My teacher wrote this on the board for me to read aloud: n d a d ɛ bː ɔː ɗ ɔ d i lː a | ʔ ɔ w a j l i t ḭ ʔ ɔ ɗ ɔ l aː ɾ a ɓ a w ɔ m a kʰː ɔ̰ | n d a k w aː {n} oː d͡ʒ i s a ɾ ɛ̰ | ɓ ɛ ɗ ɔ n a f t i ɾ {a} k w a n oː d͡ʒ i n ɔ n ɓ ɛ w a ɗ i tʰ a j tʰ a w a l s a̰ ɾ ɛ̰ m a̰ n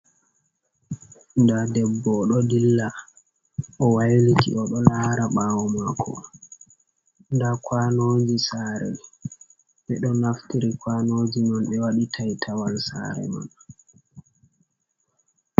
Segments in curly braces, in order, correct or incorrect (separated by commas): correct, incorrect